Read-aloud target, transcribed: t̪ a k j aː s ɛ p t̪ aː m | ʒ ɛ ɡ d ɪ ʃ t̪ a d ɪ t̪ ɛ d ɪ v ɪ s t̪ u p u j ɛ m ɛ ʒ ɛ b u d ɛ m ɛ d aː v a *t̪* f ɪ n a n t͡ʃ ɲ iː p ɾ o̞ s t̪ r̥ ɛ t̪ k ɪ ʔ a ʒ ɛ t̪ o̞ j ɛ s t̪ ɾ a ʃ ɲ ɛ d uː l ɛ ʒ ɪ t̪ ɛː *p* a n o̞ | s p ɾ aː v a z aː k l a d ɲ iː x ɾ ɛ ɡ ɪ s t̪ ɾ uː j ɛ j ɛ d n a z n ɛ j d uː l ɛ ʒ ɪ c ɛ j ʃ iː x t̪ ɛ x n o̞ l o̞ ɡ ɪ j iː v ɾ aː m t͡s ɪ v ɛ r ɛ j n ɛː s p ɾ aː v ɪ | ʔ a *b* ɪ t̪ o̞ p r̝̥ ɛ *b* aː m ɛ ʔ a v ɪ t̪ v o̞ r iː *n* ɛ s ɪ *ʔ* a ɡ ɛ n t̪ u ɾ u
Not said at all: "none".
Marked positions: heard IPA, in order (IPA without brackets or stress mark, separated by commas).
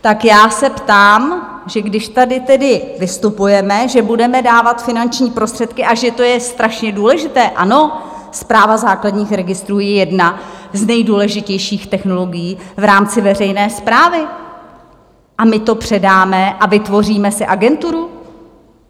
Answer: t̪, ʔ, m, d, m, ʔ